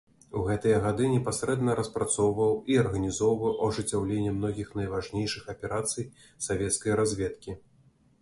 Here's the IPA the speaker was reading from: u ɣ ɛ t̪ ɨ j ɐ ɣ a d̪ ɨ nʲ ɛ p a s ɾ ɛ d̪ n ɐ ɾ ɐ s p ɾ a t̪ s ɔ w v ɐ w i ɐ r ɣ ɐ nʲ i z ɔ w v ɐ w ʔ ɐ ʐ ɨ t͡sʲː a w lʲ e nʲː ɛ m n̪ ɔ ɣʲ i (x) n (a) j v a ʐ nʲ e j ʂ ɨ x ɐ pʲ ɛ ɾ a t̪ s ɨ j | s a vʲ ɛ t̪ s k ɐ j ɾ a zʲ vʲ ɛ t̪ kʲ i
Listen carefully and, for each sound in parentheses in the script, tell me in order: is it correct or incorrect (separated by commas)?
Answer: correct, incorrect